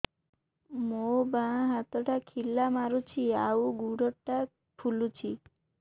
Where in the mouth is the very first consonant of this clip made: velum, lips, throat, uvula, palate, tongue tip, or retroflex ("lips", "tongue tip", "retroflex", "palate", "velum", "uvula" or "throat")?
lips